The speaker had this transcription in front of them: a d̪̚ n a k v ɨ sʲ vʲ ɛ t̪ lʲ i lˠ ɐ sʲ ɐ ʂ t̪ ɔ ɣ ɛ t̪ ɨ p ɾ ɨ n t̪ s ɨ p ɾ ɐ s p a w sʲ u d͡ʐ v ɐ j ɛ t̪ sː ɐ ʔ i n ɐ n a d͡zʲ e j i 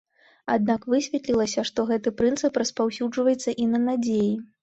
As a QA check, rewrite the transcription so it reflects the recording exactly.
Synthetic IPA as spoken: a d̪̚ n a k v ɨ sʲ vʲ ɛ t̪ lʲ i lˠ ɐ sʲ ɐ ʂ t̪ ɔ ɣ ɛ t̪ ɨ p ɾ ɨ n t̪ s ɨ p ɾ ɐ s p a w sʲ u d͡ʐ v ɐ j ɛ t̪ sː ɐ ʔ i n ɐ n a d͡zʲ e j i